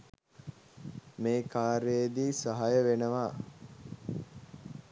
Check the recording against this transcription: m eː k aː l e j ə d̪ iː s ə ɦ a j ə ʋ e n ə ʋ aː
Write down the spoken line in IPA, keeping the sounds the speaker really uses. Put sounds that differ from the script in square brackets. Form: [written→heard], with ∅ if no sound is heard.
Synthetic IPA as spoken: m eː k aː [l→ɾ] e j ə d̪ iː s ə ɦ a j ə ʋ e n ə ʋ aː